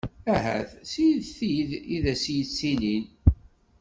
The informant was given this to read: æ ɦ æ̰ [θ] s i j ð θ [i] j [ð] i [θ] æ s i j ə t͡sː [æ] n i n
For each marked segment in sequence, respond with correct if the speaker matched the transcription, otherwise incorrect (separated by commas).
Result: correct, correct, correct, incorrect, incorrect